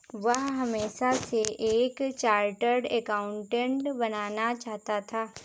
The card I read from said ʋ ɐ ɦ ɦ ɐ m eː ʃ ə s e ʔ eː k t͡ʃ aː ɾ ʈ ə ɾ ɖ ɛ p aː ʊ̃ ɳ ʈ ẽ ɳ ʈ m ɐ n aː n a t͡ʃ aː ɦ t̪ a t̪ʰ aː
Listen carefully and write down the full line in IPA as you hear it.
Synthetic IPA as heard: ʋ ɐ ɦ ɦ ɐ m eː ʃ a s e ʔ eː k t͡ʃ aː ɾ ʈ ə ɾ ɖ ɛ k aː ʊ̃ ɳ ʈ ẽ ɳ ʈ b ɐ n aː n a t͡ʃ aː ɦ t̪ a t̪ʰ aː